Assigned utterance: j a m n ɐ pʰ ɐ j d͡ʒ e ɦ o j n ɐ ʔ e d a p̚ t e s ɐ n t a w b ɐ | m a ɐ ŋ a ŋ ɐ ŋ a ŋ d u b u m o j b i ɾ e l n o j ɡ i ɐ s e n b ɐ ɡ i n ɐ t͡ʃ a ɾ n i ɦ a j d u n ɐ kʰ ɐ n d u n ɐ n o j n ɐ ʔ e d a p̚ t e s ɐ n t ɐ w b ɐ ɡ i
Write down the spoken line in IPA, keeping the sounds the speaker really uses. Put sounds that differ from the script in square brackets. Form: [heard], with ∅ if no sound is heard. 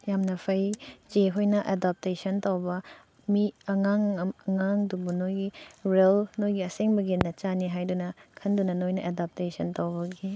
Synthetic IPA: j a m n ɐ pʰ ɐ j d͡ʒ e ɦ o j n ɐ ʔ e d a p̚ t e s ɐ n t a w b ɐ | m [i] ɐ ŋ a ŋ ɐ ŋ a ŋ d u b u [n] o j [ɡ] i ɾ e l n o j ɡ i ɐ s e [ŋ] b ɐ ɡ i n ɐ t͡ʃ a [∅] n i ɦ a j d u n ɐ kʰ ɐ n d u n ɐ n o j n ɐ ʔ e d a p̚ t e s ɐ n t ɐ w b ɐ ɡ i

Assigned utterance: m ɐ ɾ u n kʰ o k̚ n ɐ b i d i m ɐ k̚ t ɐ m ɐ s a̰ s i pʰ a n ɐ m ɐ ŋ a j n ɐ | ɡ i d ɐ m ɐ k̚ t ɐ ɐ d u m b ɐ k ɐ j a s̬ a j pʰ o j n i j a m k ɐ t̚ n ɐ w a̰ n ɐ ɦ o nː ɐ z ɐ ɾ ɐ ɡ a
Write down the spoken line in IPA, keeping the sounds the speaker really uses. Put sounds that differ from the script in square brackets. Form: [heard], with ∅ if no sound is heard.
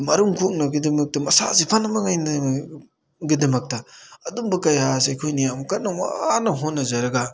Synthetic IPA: m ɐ ɾ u [ŋ] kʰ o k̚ n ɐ [ɡ] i d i m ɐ k̚ t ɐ m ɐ s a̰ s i pʰ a n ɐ m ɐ ŋ a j n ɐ | ɡ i d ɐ m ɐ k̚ t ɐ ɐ d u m b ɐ k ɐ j a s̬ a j [kʰ] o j n i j a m k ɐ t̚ n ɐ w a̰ n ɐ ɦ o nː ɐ z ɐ ɾ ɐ ɡ a

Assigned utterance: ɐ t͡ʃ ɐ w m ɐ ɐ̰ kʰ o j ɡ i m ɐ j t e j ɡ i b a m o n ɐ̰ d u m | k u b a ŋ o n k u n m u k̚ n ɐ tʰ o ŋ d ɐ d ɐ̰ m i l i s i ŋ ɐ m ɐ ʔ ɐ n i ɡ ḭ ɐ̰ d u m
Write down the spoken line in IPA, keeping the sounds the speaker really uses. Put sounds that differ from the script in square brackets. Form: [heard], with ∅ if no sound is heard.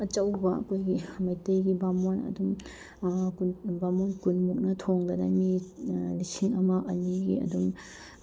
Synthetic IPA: ɐ t͡ʃ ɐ w [b] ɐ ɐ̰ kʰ o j ɡ i m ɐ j t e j ɡ i b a m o n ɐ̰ d u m | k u b a [m] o n k u n m u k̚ n ɐ tʰ o ŋ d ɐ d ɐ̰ m i l i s i ŋ ɐ m ɐ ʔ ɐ n i ɡ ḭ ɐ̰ d u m

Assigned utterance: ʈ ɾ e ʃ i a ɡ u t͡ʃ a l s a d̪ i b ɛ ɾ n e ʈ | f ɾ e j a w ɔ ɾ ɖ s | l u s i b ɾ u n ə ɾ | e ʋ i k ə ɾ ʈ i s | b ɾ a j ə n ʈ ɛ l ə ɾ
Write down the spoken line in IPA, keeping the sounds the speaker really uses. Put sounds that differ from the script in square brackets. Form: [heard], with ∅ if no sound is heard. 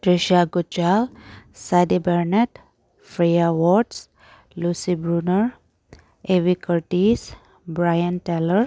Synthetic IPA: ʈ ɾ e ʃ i a ɡ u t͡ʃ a l s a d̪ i b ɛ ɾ n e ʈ | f ɾ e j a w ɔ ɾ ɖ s | l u s i b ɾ u n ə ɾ | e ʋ i k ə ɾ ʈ i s | b ɾ a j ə n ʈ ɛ l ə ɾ

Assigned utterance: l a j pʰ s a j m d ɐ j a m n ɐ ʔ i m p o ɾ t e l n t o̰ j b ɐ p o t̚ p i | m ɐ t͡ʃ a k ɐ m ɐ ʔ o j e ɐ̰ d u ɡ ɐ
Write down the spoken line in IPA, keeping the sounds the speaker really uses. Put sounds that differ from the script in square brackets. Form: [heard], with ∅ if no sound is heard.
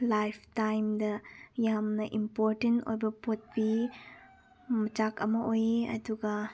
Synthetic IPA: l a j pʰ [t] a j m d ɐ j a m n ɐ ʔ i m p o ɾ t e [∅] n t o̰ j b ɐ p o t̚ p i | m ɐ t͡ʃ a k ɐ m ɐ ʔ o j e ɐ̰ d u ɡ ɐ

